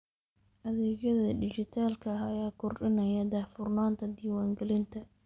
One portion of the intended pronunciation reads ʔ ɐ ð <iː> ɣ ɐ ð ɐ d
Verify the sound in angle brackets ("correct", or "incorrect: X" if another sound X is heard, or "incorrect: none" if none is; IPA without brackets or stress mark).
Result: incorrect: ɛː